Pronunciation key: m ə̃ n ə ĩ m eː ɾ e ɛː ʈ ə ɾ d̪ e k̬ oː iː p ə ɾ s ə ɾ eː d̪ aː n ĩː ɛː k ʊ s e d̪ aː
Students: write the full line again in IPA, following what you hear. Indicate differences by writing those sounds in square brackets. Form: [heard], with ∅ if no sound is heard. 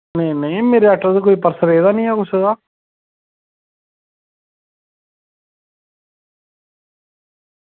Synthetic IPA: [n] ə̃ n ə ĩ m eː ɾ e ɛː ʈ ə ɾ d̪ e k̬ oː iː p ə ɾ s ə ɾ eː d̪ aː n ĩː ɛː k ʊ s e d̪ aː